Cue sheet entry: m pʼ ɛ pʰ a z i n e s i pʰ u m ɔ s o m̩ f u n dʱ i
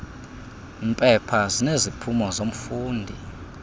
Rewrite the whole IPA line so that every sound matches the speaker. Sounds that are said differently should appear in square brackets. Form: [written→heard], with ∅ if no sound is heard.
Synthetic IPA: m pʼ ɛ pʰ a z i n e [s→z] i pʰ u m ɔ [s→z] o m̩ f [u→uː] n dʱ i

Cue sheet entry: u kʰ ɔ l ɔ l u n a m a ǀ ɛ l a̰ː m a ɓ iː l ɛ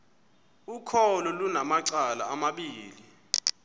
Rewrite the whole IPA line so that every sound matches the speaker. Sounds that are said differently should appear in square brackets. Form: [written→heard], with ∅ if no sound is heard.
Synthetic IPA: u kʰ ɔ l ɔ l u n a m a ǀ [ɛ→a] l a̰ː m a ɓ iː l [ɛ→i]

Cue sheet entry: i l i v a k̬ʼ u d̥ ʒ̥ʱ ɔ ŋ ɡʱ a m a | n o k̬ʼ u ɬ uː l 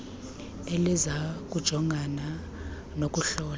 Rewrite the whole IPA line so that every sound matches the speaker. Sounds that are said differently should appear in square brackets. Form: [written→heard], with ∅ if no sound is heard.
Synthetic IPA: [i→e] l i [v→z] a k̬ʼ u d̥ ʒ̥ʱ ɔ ŋ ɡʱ a [m→n] a | n o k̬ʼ u ɬ [uː→ɔː] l

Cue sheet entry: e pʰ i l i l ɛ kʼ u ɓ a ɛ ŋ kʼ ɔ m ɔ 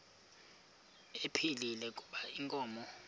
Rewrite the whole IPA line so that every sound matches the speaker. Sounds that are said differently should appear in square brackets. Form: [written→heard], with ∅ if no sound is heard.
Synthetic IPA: e pʰ i l i l ɛ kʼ u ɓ a [ɛ→i] ŋ kʼ [ɔ→ɔː] m ɔ

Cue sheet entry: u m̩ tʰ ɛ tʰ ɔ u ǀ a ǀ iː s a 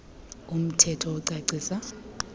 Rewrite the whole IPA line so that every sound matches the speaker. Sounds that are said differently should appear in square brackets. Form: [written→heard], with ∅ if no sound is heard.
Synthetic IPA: u m̩ tʰ ɛ tʰ ɔ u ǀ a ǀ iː s a

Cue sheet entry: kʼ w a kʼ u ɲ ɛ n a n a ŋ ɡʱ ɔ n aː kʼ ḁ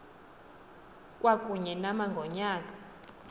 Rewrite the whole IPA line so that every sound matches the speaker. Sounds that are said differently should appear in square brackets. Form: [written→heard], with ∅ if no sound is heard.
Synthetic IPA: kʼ w a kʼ u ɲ ɛ n a [n→m] a ŋ ɡʱ ɔ [n→ɲ] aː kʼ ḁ

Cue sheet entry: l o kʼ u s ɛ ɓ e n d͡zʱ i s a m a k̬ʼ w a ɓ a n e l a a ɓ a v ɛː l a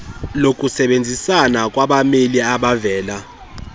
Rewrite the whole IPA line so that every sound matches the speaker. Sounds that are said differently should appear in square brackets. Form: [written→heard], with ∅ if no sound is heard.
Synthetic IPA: l o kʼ u s ɛ ɓ e n d͡zʱ i s a [m→n] a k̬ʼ w a ɓ a [n→m] e l [a→i] a ɓ a v ɛː l a

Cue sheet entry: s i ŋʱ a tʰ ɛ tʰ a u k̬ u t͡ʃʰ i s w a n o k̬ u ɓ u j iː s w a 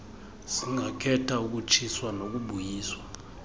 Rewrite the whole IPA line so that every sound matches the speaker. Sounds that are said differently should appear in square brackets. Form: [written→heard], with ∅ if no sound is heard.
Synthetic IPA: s i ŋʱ a [tʰ→kʰ] ɛ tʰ a u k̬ u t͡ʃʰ i s w a n o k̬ u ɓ u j iː s w a

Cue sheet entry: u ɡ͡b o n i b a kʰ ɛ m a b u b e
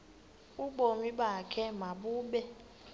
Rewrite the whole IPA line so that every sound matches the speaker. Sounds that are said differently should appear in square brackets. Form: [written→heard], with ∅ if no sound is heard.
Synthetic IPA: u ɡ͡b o [n→m] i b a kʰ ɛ m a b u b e

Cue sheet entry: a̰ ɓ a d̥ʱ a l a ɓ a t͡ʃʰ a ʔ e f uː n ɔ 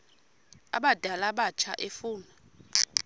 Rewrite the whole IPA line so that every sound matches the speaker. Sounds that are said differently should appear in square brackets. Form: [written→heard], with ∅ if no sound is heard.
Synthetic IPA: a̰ ɓ a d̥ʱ a l a ɓ a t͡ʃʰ a ʔ e f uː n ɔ

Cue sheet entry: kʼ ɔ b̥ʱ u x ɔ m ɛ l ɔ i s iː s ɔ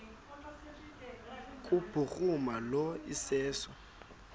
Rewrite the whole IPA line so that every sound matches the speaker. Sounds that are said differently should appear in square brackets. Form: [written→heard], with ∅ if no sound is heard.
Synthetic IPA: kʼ [ɔ→u] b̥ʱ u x [ɔ→u] m [ɛ→a] l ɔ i s [iː→ɛː] s ɔ

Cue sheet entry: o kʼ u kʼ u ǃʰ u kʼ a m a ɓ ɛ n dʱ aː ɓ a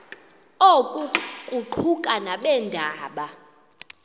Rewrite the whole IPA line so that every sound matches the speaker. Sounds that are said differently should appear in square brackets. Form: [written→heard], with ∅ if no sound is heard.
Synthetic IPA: o kʼ u kʼ u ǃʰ u kʼ a [m→n] a ɓ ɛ n dʱ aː ɓ a

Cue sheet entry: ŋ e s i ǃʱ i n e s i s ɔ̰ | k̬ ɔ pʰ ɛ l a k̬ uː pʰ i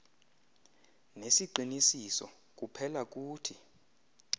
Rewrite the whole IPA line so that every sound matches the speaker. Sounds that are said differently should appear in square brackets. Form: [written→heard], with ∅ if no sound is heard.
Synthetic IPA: [ŋ→n] e s i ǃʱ i n [e→i] s i s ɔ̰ | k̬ [ɔ→u] pʰ ɛ l a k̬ uː [pʰ→tʰ] i

